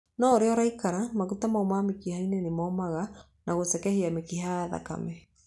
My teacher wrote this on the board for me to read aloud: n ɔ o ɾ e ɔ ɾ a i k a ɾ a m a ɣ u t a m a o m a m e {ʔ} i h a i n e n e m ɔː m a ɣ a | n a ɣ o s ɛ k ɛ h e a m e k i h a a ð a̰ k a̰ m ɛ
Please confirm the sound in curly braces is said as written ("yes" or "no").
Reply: no